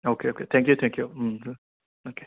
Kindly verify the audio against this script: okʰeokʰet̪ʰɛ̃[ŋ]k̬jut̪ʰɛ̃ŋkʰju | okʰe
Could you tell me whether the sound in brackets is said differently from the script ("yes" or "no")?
no